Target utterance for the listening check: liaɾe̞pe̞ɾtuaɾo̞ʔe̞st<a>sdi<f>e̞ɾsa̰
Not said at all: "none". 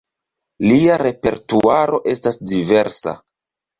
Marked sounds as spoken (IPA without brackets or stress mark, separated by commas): a, v